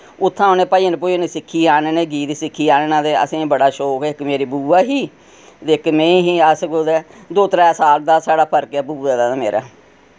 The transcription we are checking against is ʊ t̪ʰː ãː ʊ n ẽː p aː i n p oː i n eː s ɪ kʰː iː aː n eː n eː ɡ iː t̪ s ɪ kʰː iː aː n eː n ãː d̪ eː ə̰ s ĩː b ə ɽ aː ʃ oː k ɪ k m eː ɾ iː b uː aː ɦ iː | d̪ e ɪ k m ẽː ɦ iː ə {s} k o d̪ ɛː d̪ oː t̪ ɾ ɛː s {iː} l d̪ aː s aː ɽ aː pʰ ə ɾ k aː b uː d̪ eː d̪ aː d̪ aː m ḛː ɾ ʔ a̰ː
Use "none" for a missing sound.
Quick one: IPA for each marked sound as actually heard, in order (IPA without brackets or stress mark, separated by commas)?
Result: s, aː